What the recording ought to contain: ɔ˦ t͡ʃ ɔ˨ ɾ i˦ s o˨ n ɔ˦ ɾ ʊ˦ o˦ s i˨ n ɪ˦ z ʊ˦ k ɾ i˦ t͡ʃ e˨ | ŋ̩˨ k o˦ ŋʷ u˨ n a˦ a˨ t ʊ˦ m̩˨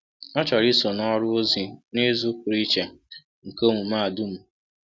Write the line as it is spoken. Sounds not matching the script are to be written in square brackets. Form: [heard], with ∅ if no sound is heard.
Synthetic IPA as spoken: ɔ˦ t͡ʃ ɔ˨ ɾ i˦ s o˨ n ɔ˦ ɾ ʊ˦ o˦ [z] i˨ n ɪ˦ z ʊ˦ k ɾ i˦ t͡ʃ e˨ | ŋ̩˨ k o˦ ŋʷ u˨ [m] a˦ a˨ [d] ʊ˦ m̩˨